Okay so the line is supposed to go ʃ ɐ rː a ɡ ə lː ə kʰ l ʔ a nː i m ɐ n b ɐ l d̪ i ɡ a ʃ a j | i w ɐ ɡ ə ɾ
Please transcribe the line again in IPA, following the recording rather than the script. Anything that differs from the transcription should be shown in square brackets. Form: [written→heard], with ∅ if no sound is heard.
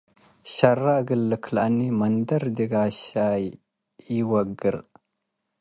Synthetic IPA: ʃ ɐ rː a ɡ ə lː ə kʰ l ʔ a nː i m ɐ n [b→d] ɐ [l→ɾ] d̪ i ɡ a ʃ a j | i w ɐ ɡ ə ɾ